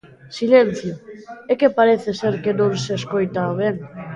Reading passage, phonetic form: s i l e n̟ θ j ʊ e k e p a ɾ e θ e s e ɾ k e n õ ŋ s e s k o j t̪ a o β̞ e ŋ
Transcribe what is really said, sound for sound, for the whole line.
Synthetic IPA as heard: s i l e n̟ θ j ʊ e k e p a ɾ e θ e s e ɾ k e n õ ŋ s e s k o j t̪ a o β̞ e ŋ